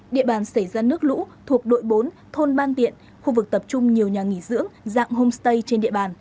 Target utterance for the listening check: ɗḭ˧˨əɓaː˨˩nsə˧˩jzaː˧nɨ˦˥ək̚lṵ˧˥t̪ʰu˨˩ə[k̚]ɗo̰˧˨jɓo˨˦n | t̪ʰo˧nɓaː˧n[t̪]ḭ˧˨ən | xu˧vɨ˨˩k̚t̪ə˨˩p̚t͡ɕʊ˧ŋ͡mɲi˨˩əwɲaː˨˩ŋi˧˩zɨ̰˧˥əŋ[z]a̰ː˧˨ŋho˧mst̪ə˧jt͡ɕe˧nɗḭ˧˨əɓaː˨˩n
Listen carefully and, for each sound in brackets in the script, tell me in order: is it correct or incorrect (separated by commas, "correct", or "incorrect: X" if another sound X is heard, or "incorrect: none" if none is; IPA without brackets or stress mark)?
correct, correct, correct